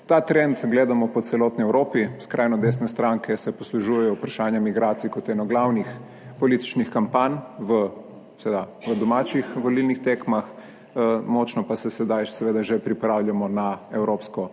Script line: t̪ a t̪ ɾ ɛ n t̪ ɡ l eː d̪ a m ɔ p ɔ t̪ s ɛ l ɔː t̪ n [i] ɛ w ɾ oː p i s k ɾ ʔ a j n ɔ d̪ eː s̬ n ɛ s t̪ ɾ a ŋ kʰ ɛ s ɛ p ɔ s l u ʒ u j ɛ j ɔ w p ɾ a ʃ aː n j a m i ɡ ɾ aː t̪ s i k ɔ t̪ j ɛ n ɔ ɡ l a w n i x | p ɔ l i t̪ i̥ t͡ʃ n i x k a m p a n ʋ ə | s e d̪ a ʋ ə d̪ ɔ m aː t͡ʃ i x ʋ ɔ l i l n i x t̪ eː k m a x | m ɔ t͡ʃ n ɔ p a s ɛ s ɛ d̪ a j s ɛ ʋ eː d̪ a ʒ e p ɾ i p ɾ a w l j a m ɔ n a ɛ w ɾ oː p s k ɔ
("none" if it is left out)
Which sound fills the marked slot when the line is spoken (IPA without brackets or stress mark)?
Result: i